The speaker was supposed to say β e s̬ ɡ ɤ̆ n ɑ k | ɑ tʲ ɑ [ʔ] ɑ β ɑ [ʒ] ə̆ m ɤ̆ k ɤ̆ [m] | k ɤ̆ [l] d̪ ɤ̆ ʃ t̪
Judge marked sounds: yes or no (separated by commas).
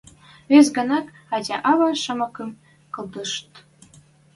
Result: yes, no, yes, yes